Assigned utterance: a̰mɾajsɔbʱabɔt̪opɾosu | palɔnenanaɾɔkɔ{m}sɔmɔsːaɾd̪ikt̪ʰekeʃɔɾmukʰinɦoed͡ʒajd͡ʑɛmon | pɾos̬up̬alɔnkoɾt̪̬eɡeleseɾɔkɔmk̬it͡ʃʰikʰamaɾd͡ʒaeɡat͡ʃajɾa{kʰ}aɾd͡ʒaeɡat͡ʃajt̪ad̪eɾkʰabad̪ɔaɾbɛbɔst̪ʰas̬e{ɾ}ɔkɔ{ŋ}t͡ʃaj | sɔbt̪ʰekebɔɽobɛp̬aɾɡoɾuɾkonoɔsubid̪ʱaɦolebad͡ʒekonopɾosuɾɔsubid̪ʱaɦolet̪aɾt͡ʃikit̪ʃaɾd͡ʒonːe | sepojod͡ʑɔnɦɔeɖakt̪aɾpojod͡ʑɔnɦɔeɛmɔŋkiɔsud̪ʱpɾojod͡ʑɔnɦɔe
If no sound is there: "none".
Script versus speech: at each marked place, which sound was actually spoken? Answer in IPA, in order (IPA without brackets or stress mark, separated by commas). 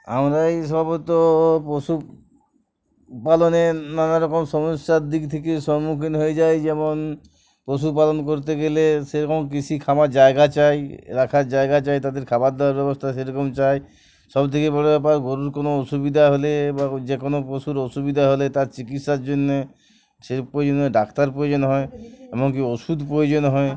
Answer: m, kʰ, ɾ, m